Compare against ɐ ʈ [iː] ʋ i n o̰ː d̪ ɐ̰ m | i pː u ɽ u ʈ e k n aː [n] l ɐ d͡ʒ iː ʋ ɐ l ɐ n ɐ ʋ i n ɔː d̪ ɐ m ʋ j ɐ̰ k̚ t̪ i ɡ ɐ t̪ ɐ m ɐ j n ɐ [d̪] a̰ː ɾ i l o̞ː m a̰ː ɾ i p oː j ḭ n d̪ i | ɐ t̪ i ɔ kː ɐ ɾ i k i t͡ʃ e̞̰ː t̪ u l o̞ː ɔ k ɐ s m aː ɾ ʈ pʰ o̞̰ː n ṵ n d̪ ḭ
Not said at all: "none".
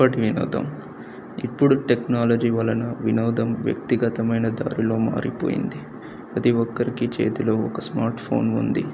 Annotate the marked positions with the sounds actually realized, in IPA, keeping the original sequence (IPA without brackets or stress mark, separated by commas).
i, none, d̪